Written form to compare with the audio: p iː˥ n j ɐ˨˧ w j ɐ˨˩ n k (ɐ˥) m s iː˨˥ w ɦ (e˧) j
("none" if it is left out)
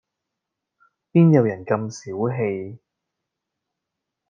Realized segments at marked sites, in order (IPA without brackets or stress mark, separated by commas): ɐ˧, e˧